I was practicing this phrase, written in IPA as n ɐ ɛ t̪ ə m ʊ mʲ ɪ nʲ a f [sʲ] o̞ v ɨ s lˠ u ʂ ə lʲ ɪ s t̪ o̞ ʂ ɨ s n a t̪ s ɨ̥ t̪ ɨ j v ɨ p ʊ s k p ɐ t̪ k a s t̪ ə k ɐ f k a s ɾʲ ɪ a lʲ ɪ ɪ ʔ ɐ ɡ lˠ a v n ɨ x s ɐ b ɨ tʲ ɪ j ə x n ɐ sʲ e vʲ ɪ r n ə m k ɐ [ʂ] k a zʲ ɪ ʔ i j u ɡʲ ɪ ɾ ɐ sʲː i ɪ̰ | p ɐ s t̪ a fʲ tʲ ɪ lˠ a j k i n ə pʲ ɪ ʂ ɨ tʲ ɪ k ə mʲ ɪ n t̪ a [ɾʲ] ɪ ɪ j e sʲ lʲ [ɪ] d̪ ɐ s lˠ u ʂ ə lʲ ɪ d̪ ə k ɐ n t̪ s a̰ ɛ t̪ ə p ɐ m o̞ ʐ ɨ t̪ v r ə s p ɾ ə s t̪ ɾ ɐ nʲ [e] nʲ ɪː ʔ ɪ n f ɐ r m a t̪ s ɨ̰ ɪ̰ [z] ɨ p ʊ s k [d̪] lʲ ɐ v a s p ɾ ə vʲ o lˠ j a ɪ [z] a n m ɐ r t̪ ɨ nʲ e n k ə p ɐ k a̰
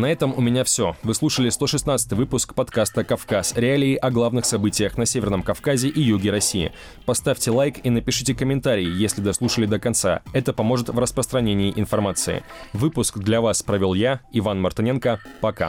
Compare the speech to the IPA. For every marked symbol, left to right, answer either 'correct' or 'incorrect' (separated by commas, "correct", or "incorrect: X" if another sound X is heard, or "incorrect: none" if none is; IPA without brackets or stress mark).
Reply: correct, incorrect: f, correct, correct, correct, incorrect: v, correct, incorrect: v